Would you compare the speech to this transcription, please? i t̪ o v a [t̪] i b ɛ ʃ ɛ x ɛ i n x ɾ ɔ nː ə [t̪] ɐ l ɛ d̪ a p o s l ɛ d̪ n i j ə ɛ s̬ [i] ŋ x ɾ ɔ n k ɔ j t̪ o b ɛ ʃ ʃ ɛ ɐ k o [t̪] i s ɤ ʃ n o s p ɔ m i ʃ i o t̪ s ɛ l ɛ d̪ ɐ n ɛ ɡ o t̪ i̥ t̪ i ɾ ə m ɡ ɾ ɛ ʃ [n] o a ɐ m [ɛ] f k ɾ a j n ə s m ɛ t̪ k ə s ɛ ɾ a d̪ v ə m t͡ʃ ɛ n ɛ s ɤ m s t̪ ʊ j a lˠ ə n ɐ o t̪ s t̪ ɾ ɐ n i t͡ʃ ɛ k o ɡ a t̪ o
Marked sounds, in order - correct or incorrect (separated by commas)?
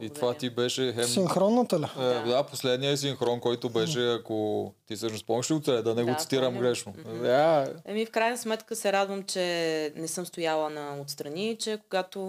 correct, correct, correct, correct, correct, incorrect